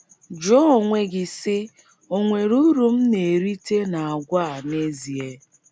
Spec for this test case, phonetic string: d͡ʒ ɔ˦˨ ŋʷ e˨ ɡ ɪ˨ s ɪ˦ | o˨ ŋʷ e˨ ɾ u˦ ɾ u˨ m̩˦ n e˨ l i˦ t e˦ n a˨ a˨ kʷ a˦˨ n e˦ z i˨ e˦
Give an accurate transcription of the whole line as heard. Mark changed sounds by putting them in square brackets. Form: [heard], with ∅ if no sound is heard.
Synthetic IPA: d͡ʒ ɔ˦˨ ŋʷ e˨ ɡ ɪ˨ s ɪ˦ | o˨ ŋʷ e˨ ɾ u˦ ɾ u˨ m̩˦ n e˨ [ɾ] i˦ t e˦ n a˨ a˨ [ɡʷ] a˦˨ n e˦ z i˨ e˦